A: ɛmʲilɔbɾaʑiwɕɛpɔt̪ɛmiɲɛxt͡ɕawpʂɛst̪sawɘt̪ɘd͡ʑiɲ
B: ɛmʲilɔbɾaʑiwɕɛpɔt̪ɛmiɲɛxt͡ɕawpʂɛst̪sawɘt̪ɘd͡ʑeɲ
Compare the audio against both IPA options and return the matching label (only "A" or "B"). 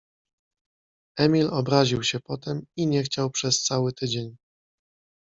B